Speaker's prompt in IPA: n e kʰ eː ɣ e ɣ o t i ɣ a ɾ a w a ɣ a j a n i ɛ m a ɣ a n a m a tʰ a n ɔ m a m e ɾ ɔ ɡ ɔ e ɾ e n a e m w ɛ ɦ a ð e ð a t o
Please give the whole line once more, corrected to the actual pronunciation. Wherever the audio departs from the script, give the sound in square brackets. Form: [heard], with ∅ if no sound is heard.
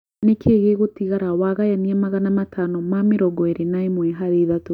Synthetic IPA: n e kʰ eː ɣ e ɣ o t i ɣ a ɾ a w a ɣ a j a n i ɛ m a ɣ a n a m a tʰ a n ɔ m a m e ɾ ɔ ɡ ɔ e ɾ e n a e m w ɛ ɦ a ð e ð a t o